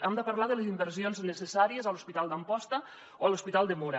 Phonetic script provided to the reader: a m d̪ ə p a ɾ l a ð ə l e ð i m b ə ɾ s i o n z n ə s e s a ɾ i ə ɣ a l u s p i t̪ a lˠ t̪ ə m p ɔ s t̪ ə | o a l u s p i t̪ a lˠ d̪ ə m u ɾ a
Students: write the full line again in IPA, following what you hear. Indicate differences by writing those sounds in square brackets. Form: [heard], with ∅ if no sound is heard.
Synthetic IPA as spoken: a m d̪ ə p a ɾ l a ð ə l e [z] i m b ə ɾ s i o n z n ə s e s a ɾ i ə [z] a l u s p i t̪ a lˠ [d̪] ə m p ɔ s t̪ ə | o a l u s p i t̪ a lˠ d̪ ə m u ɾ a

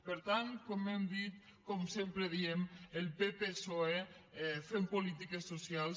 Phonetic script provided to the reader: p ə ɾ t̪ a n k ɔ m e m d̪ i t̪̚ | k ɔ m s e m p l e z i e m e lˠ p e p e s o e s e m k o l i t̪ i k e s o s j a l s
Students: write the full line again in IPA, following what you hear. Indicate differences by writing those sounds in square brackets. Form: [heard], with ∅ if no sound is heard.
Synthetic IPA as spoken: p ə ɾ t̪ a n k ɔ m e m d̪ i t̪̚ | k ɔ m s e m p [ɾ] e [ð] i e m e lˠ p e p e s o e [f] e m [p] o l i t̪ i k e s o s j a l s

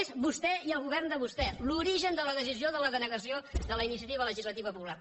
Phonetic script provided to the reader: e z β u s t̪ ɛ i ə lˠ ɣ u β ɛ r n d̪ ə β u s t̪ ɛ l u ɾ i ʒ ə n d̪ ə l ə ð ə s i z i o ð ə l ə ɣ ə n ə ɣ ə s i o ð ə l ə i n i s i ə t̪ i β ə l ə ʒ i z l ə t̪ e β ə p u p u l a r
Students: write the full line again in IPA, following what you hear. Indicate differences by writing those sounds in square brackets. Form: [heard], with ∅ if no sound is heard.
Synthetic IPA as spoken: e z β u s t̪ ɛ i ə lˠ ɣ u β ɛ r n d̪ ə β u s t̪ ɛ l u ɾ i ʒ ə n d̪ ə l ə ð ə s i z i o ð ə l ə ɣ ə n ə ɣ ə s i o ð ə l ə i n i s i ə t̪ i β ə l ə ʒ i z l ə t̪ [i] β ə p u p u l a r

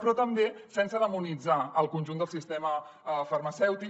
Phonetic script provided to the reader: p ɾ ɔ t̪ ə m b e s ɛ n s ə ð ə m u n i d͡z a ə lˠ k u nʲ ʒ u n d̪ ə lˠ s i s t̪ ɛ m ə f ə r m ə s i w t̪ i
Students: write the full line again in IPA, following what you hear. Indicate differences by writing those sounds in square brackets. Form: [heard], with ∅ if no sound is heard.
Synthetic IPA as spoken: p ɾ ɔ t̪ ə m b e s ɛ n s ə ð ə m u n i d͡z a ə lˠ k u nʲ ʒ u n d̪ ə lˠ s i s t̪ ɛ m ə f ə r m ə s [ɛ] w t̪ i

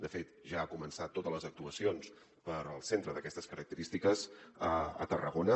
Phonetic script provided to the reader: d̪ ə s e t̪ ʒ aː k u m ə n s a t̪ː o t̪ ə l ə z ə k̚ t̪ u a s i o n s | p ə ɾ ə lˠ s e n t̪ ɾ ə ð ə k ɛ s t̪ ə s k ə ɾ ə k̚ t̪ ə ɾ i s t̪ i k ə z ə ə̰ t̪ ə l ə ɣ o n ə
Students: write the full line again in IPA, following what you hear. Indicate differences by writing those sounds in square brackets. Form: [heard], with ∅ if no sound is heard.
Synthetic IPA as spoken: d̪ ə [f] e t̪ ʒ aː k u m ə n s a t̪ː o t̪ ə l ə z ə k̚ t̪ u [ə] s i o n s | p ə ɾ ə lˠ s e n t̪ ɾ ə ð ə k ɛ s t̪ ə s k ə ɾ ə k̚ t̪ ə ɾ i s t̪ i k ə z ə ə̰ t̪ ə [r] ə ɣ o n ə

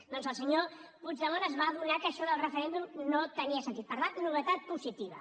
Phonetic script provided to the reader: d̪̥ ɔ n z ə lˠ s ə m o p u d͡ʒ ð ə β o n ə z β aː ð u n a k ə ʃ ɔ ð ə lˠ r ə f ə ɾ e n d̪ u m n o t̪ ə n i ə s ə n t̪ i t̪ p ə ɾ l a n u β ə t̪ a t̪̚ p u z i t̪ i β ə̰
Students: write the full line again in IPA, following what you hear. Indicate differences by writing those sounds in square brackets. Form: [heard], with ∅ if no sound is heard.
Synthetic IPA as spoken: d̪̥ ɔ n z ə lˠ s ə [ɲ] o p u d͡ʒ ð ə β o n ə z β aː ð u n a k ə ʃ ɔ ð ə lˠ r ə f ə ɾ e n d̪ u m n o t̪ ə n i ə s ə n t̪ i t̪ p ə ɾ l a n u β ə t̪ a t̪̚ p u z i t̪ i β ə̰

